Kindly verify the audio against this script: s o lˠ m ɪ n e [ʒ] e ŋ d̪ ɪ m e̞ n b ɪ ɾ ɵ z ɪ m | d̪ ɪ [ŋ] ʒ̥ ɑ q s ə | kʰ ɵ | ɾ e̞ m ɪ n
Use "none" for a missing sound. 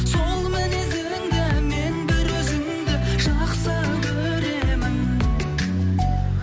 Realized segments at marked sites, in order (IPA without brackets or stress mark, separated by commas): z, none